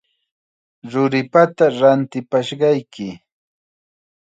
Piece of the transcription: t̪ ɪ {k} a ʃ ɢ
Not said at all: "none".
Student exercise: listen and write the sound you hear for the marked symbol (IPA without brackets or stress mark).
p